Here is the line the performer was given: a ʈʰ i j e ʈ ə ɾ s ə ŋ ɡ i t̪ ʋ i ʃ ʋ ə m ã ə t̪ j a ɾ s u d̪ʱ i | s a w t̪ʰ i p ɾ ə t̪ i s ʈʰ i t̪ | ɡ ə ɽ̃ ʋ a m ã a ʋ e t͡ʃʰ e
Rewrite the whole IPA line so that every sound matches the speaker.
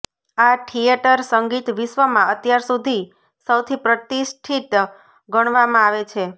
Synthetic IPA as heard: a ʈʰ i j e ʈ ə ɾ s ə ŋ ɡ i t̪ ʋ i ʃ ʋ ə m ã ə t̪ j a ɾ s u d̪ʱ i | s ə w t̪ʰ i p ɾ ə t̪ i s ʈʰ i t̪ | ɡ ə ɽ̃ ʋ a m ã a ʋ e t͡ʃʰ e